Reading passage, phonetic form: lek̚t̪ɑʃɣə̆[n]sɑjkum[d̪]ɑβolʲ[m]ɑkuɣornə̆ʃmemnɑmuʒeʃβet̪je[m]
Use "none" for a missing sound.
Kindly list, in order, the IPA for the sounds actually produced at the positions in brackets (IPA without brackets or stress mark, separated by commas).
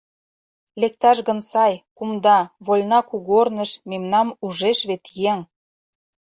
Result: n, d̪, n, ŋ